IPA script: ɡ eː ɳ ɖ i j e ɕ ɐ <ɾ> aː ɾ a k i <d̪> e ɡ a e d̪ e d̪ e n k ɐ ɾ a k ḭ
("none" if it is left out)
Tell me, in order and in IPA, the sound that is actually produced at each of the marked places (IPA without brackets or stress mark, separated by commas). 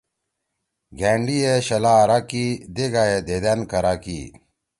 l, d̪